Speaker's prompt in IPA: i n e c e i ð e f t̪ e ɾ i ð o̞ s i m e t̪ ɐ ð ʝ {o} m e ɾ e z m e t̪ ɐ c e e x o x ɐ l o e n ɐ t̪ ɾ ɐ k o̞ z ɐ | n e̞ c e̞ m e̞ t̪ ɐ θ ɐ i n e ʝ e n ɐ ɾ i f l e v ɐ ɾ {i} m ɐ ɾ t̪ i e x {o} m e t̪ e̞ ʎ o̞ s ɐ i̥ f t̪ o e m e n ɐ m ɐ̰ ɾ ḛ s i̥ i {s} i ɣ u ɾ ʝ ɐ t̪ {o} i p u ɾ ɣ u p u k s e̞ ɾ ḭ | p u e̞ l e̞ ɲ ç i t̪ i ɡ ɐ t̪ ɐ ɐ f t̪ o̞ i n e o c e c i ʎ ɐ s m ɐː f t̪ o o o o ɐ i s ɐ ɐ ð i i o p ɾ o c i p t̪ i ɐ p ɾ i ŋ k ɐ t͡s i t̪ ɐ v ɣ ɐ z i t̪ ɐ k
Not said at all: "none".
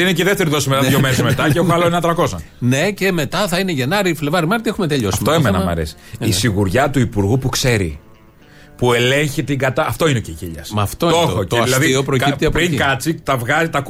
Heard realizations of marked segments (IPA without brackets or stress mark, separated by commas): o, i, u, s, u